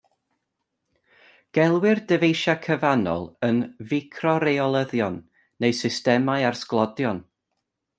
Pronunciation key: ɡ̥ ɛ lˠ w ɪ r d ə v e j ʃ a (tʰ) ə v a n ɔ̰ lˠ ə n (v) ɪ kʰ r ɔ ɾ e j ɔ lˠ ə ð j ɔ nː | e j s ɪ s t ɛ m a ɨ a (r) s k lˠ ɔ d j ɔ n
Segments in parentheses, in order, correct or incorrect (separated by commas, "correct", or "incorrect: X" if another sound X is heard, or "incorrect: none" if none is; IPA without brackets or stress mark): incorrect: kʰ, correct, correct